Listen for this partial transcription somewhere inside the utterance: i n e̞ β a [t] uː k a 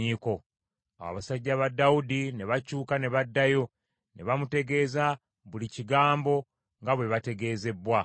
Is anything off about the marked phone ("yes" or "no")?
yes